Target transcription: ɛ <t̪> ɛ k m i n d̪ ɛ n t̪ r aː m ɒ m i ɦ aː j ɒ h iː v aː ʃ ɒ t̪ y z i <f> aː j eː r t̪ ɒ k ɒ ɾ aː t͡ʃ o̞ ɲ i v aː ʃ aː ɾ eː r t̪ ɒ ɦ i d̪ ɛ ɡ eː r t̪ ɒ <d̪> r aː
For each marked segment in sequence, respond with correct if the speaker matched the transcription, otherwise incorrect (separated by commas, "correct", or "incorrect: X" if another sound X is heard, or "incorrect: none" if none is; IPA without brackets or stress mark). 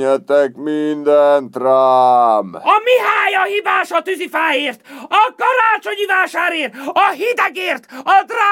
correct, correct, correct